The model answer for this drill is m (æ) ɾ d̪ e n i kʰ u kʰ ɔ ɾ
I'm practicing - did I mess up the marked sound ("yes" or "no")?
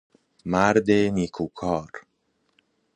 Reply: yes